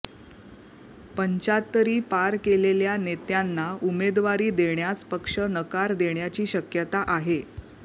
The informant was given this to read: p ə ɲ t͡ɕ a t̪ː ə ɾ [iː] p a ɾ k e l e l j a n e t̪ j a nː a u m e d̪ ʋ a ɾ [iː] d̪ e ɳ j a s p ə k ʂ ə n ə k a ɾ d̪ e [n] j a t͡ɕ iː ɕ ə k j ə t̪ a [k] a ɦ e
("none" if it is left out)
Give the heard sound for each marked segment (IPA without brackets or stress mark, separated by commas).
iː, iː, ɳ, ʔ